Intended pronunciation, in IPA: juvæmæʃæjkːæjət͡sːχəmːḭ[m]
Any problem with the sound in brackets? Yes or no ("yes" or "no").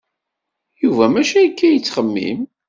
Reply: no